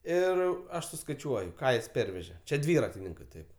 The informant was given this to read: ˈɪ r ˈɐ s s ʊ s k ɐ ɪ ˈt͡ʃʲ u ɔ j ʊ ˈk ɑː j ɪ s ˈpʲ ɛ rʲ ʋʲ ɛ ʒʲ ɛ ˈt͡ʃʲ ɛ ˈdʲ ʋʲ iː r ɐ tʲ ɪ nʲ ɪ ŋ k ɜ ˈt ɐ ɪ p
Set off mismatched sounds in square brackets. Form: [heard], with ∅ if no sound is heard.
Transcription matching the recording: ˈɪ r ˈɐ [ʃ] s ʊ s k ɐ ɪ ˈt͡ʃʲ u ɔ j ʊ ˈk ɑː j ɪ s ˈpʲ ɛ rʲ ʋʲ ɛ ʒʲ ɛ ˈt͡ʃʲ ɛ ˈdʲ ʋʲ iː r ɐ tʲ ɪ nʲ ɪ ŋ k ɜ ˈt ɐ ɪ p